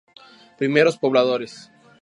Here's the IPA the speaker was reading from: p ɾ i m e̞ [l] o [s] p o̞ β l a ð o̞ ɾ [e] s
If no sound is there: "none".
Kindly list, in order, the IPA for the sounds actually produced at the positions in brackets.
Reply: ɾ, s, e

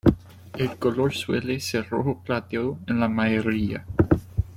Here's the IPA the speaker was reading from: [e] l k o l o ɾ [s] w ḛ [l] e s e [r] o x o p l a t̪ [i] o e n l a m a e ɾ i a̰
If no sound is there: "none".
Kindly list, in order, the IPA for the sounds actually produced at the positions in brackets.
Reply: e, s, l, r, e

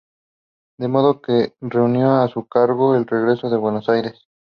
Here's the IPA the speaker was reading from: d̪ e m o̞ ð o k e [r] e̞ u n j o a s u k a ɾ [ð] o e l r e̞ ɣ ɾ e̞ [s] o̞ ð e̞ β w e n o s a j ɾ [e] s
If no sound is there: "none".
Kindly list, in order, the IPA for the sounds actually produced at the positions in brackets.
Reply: r, ɣ, s, e

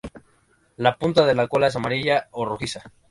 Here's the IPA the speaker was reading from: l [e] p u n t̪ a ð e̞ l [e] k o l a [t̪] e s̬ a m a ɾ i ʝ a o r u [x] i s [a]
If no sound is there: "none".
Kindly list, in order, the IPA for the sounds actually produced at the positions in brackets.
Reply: a, a, none, x, a

